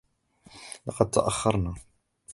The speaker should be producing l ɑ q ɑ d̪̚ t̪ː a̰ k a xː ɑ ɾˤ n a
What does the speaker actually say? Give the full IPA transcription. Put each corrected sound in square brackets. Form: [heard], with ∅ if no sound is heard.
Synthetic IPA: l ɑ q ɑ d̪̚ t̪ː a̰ [ʔ] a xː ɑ ɾˤ n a

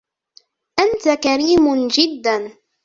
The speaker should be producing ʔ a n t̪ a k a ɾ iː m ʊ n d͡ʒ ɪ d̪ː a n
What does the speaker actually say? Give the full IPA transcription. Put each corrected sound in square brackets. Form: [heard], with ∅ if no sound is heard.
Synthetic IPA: ʔ a n t̪ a k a ɾ iː m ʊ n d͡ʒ ɪ d̪ː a n

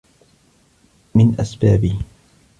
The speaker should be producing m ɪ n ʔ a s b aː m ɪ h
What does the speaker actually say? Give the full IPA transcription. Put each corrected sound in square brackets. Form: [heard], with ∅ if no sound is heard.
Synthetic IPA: m ɪ n ʔ a s b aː [b] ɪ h

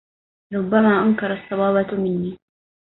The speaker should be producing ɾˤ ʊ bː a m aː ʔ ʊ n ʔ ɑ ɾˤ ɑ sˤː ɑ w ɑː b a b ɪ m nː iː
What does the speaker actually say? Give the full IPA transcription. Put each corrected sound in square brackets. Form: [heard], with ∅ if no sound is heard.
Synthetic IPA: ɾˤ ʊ bː a m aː ʔ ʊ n [k] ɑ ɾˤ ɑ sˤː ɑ w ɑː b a [m] ɪ [∅] nː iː

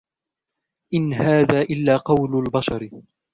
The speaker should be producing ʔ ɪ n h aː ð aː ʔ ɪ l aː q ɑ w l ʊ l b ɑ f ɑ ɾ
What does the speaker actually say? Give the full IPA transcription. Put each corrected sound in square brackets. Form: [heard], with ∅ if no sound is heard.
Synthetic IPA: ʔ ɪ n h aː ð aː ʔ ɪ [lː] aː q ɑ w l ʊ l b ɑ [ʃ] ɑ ɾ

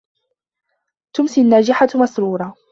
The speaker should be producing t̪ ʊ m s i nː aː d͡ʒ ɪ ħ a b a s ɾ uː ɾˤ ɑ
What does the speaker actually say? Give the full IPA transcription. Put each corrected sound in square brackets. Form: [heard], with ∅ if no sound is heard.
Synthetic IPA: t̪ ʊ m s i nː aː d͡ʒ ɪ ħ a [m] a s ɾ uː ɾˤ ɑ

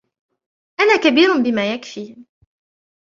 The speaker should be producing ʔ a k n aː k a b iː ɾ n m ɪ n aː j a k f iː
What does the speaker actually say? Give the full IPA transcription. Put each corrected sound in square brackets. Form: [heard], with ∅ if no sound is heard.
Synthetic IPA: ʔ a [∅] n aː k a b iː ɾ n [b] ɪ [m] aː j a k f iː

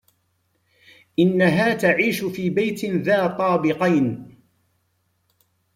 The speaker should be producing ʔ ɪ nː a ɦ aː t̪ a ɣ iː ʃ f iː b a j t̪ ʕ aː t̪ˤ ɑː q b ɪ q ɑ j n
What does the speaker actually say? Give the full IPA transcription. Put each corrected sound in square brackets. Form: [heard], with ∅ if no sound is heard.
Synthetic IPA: ʔ ɪ nː a ɦ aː t̪ a [ʕ] iː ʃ f iː b a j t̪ [ð] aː t̪ˤ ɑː [∅] b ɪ q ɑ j n

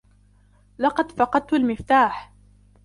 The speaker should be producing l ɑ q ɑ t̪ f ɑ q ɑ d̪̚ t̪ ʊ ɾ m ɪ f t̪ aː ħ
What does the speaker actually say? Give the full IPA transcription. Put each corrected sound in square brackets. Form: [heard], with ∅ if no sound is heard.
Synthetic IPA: l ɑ q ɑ [d̪] f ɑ q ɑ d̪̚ t̪ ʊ [l] m ɪ f t̪ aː ħ

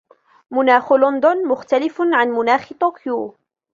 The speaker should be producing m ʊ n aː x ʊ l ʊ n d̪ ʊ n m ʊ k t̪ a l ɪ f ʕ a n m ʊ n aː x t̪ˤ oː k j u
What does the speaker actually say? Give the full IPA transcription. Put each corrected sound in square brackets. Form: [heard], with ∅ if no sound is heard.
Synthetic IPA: m ʊ n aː x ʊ l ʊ n d̪ ʊ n m ʊ [x] t̪ a l ɪ f ʕ a n m ʊ n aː x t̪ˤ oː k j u

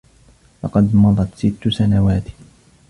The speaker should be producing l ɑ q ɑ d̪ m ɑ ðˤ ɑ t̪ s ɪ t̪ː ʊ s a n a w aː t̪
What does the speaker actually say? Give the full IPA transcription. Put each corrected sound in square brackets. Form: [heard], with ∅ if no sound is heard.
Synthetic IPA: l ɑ q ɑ d̪ m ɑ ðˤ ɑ t̪ s ɪ t̪ː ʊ s a n a w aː t̪

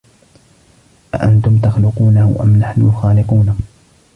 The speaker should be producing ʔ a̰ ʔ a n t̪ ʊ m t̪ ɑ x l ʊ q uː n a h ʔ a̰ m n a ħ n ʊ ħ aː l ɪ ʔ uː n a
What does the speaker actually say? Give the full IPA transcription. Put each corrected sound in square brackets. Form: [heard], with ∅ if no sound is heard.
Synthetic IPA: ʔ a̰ ʔ a n t̪ ʊ m t̪ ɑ x l ʊ q uː n a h ʔ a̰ m n a ħ n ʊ [x] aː l ɪ [q] uː n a

